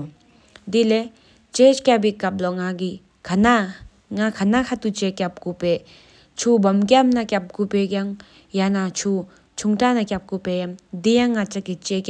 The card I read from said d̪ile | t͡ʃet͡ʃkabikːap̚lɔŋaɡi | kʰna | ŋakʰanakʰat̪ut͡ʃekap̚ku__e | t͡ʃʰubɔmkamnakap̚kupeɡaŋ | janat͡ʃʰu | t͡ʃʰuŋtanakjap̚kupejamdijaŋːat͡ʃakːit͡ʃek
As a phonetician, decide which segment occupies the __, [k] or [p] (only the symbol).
p